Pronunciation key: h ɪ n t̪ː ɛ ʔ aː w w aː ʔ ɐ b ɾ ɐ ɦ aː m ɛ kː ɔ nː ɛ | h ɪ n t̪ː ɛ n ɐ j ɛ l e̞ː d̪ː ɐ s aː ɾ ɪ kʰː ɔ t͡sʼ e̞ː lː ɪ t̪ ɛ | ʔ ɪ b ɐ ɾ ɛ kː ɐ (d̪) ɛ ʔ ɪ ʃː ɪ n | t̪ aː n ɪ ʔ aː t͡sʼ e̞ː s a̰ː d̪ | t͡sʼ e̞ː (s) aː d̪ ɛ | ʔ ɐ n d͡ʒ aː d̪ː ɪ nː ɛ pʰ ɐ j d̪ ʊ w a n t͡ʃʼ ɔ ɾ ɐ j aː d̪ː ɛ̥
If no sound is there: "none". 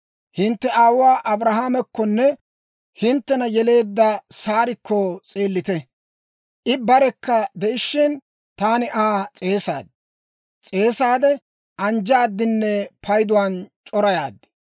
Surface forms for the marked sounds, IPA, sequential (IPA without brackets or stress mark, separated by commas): d̪, s